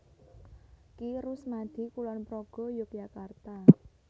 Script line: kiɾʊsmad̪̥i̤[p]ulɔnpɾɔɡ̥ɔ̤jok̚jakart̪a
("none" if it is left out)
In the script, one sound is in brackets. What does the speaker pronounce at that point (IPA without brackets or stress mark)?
k